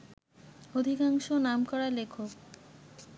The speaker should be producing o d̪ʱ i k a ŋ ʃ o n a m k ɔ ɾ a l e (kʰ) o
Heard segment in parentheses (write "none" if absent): kʰ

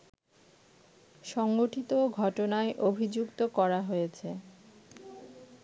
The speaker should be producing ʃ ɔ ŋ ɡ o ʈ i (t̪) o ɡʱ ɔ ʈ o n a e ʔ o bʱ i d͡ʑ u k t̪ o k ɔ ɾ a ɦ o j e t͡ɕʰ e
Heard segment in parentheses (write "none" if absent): t̪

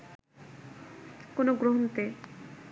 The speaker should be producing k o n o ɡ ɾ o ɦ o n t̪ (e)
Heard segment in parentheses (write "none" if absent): e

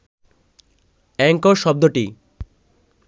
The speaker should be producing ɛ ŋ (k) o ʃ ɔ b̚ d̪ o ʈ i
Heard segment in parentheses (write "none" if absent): k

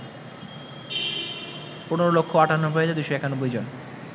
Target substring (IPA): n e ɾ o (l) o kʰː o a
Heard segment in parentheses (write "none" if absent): l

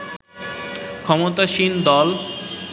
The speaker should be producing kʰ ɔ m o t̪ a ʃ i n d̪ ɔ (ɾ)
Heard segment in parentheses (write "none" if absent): l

